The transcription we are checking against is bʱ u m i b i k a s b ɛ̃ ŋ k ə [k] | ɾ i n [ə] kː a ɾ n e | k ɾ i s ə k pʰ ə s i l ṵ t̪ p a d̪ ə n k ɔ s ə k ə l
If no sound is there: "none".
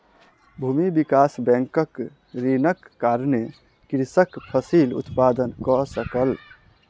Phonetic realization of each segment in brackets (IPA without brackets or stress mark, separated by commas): k, ə